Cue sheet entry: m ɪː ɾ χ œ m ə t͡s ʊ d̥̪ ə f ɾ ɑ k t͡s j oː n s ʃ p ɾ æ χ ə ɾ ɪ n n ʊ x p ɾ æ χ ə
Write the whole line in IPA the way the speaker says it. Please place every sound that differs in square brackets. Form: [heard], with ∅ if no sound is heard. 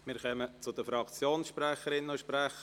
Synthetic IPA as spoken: m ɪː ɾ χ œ m ə t͡s ʊ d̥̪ ə f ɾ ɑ k t͡s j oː n s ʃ p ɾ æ χ ə ɾ ɪ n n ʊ [ʃ] p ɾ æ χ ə